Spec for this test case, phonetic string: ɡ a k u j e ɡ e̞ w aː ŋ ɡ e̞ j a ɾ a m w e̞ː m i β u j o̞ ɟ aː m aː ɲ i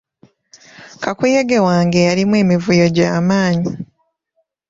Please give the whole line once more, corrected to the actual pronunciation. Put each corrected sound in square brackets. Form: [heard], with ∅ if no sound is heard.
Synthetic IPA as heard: [k] a k u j e ɡ e̞ w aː ŋ ɡ e̞ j a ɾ [i] m w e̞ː m i [v] u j o̞ ɟ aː m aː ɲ i